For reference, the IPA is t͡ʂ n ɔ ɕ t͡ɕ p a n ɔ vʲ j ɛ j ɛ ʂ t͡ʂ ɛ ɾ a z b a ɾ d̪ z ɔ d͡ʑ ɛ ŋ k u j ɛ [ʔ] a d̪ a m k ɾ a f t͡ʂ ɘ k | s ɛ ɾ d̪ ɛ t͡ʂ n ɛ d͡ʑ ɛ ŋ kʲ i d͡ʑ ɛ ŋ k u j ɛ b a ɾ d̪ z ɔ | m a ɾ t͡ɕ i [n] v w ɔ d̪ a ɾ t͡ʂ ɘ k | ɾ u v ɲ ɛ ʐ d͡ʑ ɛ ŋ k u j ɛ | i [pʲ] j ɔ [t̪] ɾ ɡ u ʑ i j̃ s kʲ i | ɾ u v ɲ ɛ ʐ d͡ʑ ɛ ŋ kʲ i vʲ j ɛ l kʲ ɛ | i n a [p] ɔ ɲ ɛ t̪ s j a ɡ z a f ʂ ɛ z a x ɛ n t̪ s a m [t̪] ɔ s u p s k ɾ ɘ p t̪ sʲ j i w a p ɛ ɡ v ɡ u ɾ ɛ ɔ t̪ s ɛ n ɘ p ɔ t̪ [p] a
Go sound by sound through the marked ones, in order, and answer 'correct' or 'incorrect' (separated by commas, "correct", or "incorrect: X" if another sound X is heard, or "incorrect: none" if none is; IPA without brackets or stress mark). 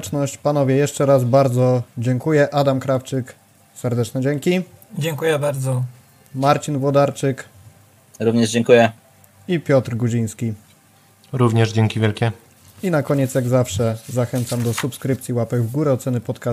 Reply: correct, correct, correct, correct, incorrect: k, incorrect: d̪, incorrect: k